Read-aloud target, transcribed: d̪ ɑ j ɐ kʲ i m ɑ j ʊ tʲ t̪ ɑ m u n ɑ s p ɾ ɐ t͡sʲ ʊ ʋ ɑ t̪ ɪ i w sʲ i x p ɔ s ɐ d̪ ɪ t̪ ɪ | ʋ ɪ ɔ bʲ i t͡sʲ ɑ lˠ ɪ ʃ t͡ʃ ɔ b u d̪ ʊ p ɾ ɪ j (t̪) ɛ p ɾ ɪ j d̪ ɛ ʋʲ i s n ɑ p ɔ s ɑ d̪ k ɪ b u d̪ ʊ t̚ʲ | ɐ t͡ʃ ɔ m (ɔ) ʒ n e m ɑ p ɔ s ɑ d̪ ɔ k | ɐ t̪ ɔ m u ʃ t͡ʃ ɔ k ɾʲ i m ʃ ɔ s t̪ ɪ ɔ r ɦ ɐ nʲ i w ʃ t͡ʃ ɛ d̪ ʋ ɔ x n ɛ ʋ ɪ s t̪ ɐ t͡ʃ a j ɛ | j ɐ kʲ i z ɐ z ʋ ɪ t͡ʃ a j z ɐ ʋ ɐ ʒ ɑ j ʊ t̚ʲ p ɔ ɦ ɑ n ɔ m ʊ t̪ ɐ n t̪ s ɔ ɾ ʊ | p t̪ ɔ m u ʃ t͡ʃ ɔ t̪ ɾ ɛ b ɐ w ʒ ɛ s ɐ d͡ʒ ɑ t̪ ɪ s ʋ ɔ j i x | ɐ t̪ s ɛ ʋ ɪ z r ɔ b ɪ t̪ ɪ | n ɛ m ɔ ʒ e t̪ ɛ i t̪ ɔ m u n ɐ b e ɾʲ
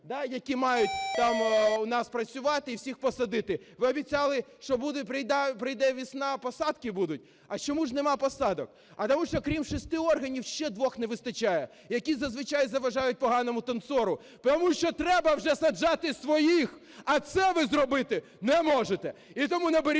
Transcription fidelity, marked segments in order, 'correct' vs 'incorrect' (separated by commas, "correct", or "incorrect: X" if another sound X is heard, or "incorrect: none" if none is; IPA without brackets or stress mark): incorrect: d̪, incorrect: u